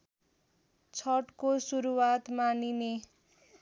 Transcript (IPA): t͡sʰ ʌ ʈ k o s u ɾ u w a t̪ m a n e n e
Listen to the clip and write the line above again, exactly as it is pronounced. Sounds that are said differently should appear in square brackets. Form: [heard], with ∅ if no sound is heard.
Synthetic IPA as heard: t͡sʰ ʌ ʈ k o s u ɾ u w a t̪ m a n [i] n e